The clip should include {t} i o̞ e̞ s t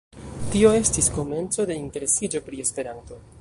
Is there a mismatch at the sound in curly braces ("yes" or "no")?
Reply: no